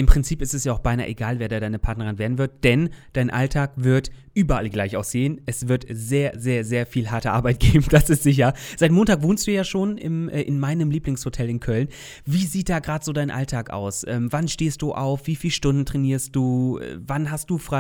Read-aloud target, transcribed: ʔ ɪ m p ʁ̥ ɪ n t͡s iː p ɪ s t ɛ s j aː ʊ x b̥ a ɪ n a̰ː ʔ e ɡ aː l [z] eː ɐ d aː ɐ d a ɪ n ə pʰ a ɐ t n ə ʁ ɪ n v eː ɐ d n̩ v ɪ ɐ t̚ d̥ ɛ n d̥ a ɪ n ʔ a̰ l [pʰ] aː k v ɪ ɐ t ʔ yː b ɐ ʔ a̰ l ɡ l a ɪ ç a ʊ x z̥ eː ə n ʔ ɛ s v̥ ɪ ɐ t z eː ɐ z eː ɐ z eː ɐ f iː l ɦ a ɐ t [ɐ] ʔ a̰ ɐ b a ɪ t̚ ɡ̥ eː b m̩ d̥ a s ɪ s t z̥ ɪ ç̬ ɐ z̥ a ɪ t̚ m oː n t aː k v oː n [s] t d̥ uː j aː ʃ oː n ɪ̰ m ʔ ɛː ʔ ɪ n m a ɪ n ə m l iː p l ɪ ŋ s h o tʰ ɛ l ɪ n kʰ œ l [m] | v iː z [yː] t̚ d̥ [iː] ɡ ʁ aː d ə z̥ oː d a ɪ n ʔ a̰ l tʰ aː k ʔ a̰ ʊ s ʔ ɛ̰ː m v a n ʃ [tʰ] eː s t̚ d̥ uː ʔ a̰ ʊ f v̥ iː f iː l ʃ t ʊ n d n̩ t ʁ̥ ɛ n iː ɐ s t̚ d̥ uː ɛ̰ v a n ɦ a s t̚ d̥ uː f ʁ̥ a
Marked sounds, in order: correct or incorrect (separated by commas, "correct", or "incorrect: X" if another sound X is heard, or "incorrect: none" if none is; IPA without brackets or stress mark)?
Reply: incorrect: v, incorrect: tʰ, incorrect: ə, correct, incorrect: n, incorrect: iː, incorrect: aː, incorrect: t